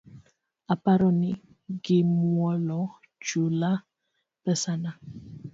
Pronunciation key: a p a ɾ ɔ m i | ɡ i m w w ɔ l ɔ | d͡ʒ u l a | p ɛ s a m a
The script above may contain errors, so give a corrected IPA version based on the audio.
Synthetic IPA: a p a ɾ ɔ n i | ɡ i m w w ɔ l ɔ | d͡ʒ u l a | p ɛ s a n a